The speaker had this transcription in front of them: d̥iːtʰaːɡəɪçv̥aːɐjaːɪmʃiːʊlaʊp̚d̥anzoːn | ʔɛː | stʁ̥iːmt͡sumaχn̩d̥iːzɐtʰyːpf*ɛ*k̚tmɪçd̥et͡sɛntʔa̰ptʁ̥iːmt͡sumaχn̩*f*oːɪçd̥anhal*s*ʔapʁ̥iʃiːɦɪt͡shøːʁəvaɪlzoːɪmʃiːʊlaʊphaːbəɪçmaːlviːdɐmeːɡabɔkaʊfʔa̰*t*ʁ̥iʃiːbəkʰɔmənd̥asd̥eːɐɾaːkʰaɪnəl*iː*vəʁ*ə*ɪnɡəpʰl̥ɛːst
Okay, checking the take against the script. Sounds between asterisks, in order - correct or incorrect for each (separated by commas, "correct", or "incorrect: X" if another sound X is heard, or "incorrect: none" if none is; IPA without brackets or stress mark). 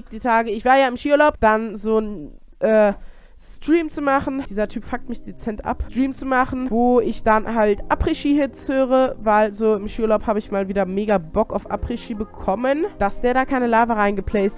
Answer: incorrect: a, incorrect: v, incorrect: t, incorrect: p, incorrect: aː, incorrect: a